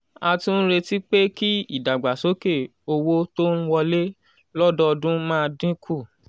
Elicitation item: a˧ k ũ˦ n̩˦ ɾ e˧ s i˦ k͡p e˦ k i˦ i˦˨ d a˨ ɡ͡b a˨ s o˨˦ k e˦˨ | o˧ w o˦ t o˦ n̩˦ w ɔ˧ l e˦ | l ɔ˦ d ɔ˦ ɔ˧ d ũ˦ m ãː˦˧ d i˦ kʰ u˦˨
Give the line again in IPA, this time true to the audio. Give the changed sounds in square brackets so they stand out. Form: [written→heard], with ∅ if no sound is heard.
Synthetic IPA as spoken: a˧ [k→t] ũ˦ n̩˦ ɾ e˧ [s→t] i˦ k͡p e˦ k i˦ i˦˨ d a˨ ɡ͡b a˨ s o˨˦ k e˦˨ | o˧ w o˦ t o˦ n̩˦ w ɔ˧ l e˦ | l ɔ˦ d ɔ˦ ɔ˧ d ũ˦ m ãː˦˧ d [i˦→ĩ˦] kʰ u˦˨